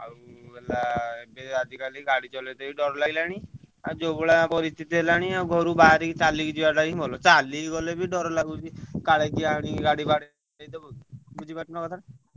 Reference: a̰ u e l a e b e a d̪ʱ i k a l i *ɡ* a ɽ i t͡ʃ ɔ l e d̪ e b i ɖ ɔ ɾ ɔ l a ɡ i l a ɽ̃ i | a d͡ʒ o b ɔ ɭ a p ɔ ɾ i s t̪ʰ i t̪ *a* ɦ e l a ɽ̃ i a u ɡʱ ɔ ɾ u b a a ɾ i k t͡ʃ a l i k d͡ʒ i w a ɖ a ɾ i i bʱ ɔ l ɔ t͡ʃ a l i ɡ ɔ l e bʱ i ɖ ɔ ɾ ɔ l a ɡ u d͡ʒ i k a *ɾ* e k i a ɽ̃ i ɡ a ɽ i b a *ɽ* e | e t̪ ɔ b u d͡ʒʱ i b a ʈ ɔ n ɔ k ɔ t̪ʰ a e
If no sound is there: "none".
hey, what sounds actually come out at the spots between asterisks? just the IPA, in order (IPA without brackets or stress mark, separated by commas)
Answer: ɡ, i, ɭ, ɽ